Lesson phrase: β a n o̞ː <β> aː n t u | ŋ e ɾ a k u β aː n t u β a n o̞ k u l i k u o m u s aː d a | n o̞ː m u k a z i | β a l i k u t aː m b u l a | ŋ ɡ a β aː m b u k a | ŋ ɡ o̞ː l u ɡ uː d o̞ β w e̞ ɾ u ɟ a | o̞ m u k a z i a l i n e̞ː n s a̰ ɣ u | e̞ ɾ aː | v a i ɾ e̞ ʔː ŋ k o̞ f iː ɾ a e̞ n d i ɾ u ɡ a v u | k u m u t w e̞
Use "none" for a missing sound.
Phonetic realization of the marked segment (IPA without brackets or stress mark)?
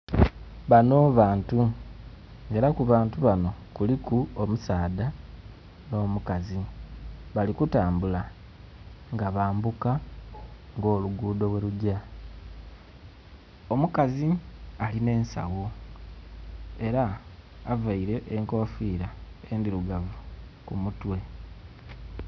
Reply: β